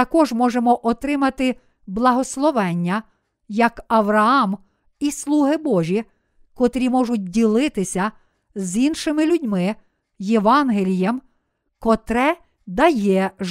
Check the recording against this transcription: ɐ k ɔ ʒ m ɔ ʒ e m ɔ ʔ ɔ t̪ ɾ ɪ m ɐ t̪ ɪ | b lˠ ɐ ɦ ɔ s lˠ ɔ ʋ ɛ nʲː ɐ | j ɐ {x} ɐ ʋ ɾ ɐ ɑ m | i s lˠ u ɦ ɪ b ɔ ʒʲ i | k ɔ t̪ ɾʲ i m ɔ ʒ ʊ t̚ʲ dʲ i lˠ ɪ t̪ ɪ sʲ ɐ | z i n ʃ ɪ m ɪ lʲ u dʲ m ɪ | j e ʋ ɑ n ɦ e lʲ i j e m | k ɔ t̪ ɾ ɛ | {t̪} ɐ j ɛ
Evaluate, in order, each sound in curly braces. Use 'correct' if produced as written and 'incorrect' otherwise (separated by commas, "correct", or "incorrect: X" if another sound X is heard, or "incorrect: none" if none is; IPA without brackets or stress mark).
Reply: incorrect: k, incorrect: d̪